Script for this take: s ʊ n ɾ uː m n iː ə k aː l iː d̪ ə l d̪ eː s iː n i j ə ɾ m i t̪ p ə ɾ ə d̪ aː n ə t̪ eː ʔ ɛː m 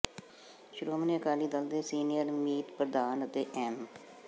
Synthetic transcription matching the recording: ʃ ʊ ɾ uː m n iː ə k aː l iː d̪ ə l d̪ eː s iː n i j ə ɾ m iː t̪ p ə ɾ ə d̪ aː n ə t̪ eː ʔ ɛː m

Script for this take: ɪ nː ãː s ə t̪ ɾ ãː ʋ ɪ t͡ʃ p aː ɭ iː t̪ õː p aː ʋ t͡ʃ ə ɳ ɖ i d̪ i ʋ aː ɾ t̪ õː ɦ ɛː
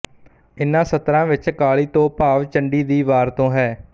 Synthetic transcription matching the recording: ɪ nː ãː s ə t̪ ɾ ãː ʋ ɪ t͡ʃ k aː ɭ iː t̪ õː p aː ʋ t͡ʃ ə ɳ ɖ iː d̪ iː ʋ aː ɾ t̪ õː ɦ ɛː

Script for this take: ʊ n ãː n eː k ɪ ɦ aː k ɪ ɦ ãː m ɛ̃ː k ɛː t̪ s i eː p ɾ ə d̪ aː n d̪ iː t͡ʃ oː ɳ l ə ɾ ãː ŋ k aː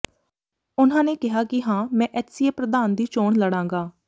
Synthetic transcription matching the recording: ʊ n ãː n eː k ɪ ɦ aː k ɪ ɦ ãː m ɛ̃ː ʔ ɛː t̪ s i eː p ɾ ə d̪ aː n d̪ iː t͡ʃ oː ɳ l ə ɽ ãː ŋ ɡ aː

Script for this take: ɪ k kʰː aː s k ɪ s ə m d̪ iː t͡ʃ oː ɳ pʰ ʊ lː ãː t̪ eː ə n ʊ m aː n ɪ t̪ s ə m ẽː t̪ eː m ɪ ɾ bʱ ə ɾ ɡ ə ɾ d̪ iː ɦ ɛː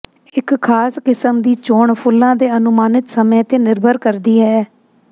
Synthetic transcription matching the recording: ɪ k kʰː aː s k ɪ s ə m d̪ iː t͡ʃ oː ɳ pʰ ʊ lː ãː d̪ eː ə n ʊ m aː n ɪ t̪ s ə m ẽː t̪ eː n ɪ ɾ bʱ ə ɾ k ə ɾ d̪ iː ɦ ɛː

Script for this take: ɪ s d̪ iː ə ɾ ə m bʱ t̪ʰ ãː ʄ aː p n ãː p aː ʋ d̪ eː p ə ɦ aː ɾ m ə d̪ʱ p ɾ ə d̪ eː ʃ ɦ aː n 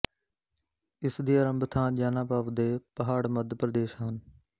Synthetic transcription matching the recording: ɪ s d̪ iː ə ɾ ə m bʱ t̪ʰ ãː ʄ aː n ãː p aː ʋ d̪ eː p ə ɦ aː ɽ m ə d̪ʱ p ɾ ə d̪ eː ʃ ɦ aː n

